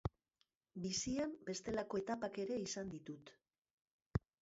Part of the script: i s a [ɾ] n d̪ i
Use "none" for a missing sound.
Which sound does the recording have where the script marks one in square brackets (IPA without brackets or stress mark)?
none